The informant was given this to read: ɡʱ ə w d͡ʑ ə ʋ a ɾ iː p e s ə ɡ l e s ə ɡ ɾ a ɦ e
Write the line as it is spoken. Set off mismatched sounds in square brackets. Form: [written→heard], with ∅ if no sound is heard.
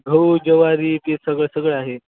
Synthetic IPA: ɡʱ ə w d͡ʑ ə ʋ a ɾ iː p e s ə ɡ [l→ɭ] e s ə ɡ [ɾ→ɭ] a ɦ e